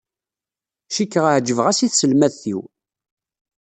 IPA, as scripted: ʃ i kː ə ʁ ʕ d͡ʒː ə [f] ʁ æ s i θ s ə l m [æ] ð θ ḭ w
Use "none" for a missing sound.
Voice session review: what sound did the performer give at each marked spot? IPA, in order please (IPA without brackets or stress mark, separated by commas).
v, æ